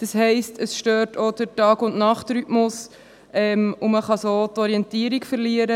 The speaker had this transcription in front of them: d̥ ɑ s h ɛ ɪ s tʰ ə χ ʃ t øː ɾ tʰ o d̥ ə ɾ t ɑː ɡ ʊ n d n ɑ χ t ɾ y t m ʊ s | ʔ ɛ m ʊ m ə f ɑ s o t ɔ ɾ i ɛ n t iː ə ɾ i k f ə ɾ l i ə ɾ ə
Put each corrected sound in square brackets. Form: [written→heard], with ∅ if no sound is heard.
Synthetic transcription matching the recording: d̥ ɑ s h ɛ ɪ s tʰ ə [χ→s] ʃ t øː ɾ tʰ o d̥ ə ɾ t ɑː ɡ ʊ n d n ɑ χ t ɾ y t m ʊ s | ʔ ɛ m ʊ m ə [f→χ] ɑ s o t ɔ ɾ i ɛ n t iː ə ɾ i k f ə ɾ l i ə ɾ ə